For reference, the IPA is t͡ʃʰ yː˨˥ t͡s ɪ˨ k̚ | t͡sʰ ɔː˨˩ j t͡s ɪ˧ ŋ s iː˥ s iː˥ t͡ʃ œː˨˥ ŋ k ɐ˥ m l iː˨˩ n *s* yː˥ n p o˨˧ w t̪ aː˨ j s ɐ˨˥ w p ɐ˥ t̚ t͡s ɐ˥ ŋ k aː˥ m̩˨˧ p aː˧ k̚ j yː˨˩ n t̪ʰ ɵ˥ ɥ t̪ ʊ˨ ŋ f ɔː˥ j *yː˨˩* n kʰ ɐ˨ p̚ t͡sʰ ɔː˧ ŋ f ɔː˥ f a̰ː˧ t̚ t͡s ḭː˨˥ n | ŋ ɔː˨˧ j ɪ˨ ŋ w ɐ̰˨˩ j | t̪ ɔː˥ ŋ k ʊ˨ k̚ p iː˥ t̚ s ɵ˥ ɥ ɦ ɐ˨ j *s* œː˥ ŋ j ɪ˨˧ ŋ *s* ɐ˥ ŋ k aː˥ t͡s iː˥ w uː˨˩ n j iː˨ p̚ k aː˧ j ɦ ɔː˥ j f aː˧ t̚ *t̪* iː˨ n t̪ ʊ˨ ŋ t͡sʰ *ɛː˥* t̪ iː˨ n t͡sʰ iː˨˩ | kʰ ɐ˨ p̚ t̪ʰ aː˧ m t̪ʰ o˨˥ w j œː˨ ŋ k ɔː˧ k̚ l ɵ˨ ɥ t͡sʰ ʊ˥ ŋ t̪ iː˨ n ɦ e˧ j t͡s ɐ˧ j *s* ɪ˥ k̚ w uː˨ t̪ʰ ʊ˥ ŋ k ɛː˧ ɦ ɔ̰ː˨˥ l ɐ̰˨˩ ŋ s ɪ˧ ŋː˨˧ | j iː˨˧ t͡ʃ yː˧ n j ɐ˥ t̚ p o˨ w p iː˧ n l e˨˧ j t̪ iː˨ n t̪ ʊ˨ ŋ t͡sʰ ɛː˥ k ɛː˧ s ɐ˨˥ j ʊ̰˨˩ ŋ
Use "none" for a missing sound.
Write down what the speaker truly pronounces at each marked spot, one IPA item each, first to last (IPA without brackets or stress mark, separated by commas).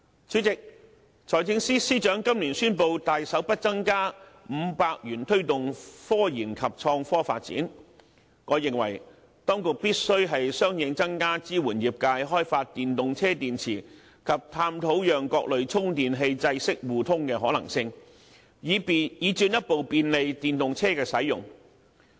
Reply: s, iː˨˩, s, t͡s, t̪, ɛː˥, s